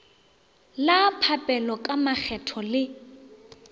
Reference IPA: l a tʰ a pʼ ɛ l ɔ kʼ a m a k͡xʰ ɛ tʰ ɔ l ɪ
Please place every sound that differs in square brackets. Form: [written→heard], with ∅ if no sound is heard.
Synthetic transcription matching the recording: l a [tʰ→pʰ] a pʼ ɛ l ɔ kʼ a m a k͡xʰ ɛ tʰ ɔ l ɪ